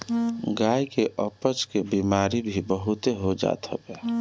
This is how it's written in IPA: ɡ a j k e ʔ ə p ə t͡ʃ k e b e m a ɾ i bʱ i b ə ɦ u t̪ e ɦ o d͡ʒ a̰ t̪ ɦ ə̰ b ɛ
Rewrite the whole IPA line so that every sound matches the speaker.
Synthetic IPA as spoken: ɡ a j k e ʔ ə p ə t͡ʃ k e b i m a ɾ i bʱ i b ə ɦ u t̪ e ɦ o d͡ʒ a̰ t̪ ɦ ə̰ b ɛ